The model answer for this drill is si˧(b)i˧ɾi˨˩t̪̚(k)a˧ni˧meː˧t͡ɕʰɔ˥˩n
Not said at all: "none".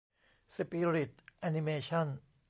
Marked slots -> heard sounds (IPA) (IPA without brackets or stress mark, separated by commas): p, ʔ